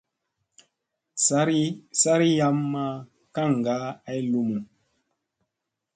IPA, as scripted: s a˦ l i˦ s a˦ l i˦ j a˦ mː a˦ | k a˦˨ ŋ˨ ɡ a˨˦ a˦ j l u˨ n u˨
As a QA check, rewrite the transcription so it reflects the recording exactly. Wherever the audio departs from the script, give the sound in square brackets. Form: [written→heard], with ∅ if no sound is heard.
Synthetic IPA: s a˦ [l→ɾ] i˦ s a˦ [l→ɾ] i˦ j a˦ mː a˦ | k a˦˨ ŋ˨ ɡ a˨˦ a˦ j l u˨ [n→m] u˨